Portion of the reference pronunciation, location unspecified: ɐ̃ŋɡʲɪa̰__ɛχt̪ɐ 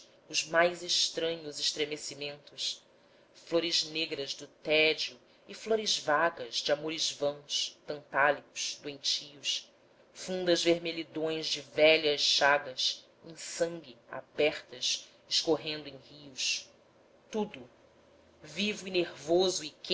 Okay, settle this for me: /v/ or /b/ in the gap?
b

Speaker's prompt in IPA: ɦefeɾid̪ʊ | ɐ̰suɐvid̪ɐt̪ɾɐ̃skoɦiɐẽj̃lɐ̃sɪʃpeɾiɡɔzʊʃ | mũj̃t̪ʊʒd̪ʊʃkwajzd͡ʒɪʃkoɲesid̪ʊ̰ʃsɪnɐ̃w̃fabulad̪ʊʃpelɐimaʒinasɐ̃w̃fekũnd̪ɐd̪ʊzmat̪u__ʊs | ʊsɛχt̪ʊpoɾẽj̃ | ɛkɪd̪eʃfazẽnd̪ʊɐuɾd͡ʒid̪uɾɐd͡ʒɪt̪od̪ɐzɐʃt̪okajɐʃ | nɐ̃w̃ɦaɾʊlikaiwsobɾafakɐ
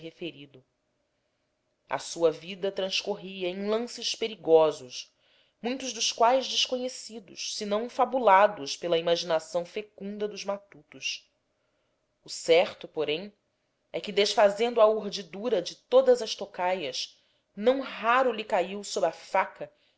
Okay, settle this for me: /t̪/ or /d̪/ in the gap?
t̪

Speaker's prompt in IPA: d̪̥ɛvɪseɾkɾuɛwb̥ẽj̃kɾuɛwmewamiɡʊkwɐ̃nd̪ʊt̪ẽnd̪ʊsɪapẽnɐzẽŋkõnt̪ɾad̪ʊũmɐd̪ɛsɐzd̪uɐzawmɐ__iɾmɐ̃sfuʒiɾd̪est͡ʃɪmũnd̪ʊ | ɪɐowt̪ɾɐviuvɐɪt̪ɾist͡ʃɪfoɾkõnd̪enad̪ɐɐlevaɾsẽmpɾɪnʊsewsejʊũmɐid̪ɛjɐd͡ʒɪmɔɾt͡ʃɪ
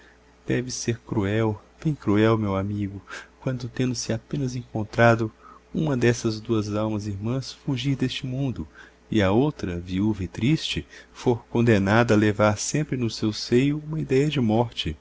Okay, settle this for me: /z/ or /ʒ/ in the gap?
z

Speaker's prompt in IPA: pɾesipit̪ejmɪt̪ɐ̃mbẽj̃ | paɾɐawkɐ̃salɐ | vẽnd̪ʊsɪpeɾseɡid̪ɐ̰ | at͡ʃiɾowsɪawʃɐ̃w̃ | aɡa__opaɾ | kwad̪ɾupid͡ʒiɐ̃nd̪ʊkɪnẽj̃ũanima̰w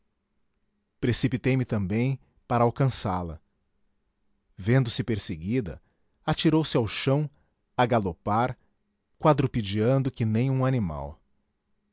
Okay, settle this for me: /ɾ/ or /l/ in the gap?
l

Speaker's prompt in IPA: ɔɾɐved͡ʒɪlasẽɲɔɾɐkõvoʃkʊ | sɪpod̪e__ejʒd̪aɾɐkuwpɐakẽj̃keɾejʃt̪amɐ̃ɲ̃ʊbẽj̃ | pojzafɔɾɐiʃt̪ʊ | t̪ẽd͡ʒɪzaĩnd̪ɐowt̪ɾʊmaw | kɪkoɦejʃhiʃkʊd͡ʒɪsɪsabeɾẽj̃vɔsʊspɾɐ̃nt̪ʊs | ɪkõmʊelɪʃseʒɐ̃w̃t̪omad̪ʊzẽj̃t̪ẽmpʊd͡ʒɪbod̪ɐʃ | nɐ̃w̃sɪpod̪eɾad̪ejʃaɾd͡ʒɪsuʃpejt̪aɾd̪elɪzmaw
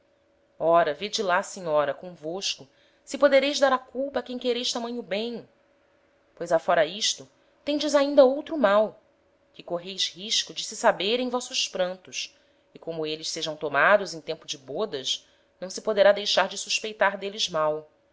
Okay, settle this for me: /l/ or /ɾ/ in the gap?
ɾ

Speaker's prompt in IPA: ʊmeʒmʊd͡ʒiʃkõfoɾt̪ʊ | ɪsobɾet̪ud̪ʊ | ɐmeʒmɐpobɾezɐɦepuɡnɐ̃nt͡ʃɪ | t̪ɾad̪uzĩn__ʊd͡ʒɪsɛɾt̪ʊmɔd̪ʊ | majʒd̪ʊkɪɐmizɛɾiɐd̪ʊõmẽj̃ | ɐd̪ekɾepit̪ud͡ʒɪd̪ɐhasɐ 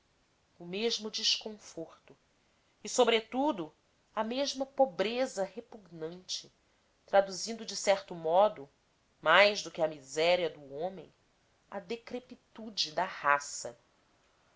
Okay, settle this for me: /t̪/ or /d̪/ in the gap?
d̪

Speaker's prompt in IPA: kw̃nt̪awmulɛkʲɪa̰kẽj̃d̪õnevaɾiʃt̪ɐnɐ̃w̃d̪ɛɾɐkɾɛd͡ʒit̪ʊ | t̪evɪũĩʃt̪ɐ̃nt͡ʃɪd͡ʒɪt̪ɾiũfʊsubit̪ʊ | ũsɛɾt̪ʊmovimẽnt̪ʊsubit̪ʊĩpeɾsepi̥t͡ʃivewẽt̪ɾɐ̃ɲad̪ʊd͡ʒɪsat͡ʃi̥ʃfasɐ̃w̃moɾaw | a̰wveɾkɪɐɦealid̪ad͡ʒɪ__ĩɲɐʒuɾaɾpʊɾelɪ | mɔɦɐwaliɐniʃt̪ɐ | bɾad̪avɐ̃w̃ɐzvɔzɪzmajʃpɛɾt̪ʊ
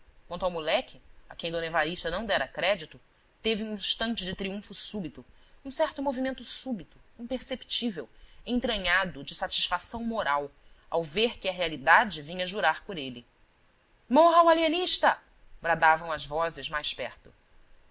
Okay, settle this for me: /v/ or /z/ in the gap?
v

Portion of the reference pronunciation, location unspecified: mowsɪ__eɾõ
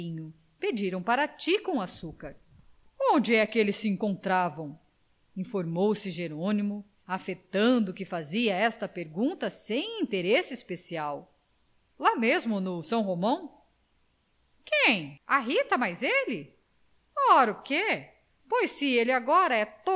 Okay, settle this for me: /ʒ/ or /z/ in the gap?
ʒ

